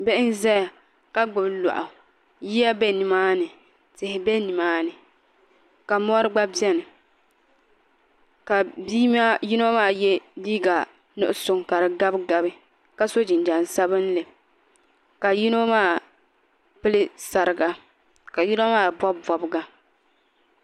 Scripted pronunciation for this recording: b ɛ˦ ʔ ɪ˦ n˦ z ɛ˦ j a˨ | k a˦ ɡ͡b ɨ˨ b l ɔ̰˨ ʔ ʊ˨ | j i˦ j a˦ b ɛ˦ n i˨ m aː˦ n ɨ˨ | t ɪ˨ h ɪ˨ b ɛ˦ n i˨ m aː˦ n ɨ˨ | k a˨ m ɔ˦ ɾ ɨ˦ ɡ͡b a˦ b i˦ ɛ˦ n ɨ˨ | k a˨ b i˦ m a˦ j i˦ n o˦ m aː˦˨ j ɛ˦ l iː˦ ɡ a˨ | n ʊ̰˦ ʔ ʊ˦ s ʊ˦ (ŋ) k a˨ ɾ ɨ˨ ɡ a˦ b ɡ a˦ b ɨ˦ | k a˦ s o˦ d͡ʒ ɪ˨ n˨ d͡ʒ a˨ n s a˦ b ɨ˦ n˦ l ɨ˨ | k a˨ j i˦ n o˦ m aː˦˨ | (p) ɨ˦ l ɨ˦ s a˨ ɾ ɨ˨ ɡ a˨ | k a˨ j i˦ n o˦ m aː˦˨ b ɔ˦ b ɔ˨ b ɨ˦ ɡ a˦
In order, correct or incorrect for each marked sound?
correct, correct

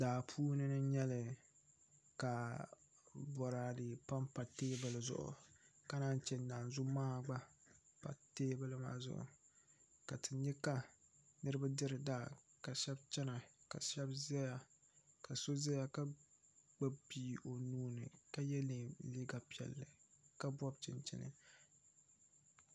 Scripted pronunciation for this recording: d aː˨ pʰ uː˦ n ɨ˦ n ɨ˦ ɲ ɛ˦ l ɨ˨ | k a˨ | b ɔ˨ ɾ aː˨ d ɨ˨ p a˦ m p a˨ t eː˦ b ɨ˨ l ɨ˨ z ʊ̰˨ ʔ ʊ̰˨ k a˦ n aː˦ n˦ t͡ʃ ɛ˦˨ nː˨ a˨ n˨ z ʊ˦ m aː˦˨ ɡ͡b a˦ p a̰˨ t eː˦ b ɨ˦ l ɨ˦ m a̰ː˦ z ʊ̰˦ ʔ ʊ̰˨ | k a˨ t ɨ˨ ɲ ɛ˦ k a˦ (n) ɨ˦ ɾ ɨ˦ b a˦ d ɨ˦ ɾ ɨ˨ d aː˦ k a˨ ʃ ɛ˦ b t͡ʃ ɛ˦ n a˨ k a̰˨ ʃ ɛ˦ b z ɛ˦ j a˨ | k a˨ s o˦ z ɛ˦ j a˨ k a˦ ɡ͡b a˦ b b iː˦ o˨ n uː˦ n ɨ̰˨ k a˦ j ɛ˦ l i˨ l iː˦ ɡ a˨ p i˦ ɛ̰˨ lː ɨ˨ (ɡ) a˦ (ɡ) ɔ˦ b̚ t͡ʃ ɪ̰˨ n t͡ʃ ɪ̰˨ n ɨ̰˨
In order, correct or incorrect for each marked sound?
correct, incorrect: k, incorrect: b

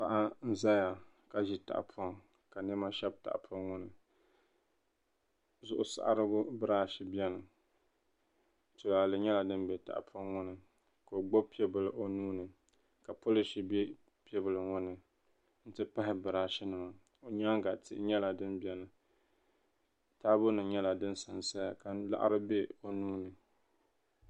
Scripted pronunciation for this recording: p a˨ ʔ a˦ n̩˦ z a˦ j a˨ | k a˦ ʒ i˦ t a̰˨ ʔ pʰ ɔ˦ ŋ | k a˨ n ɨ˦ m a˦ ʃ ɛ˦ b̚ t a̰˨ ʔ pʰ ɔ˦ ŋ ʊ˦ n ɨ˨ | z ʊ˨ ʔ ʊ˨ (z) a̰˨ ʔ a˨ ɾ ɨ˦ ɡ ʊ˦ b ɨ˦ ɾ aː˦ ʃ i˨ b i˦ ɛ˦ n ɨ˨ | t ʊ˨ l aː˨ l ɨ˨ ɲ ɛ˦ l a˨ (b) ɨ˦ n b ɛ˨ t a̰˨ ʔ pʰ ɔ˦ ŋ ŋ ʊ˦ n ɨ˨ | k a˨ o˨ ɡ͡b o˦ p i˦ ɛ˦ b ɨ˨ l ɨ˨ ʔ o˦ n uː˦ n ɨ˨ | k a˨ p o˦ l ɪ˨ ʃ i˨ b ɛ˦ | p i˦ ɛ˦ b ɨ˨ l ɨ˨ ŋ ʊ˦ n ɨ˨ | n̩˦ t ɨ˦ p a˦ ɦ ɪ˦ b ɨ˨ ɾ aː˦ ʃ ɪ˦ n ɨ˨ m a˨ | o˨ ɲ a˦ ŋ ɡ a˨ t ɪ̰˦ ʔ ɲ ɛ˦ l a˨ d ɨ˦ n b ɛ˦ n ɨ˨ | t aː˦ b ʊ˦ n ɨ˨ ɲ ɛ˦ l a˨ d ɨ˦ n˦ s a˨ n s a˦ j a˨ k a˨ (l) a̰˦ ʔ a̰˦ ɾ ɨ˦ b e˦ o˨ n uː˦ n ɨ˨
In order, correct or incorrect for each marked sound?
incorrect: s, incorrect: d, correct

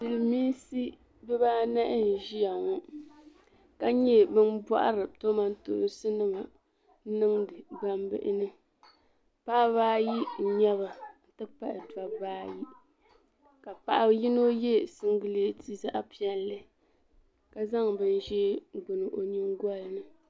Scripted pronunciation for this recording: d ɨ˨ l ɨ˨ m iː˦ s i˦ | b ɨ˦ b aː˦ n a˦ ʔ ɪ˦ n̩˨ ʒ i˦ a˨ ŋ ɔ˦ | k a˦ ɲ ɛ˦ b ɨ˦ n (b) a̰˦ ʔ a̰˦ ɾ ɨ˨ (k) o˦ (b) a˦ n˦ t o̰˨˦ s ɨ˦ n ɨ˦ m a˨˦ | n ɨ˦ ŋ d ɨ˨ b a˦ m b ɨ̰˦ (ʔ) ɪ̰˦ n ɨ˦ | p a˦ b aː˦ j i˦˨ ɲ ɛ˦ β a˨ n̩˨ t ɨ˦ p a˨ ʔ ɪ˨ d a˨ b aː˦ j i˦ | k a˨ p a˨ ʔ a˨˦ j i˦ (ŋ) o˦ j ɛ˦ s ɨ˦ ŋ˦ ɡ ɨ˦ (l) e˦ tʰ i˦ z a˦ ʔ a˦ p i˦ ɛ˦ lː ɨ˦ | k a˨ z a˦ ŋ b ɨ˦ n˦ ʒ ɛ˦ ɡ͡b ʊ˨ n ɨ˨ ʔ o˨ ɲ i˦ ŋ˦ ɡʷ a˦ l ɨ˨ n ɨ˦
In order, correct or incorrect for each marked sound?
correct, incorrect: t, incorrect: m, correct, incorrect: n, correct

